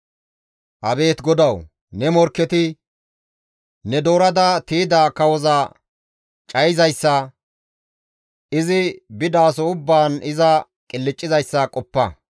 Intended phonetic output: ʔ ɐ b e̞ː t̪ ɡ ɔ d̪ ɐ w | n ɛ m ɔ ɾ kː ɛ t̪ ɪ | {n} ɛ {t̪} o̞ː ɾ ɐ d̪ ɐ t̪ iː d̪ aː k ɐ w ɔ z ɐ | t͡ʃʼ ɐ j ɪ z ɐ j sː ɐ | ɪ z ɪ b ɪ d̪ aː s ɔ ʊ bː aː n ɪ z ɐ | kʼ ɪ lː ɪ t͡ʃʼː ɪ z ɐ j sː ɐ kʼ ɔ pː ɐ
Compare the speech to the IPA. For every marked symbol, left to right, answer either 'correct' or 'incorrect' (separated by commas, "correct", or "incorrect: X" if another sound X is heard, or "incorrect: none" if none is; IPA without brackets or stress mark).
correct, incorrect: d̪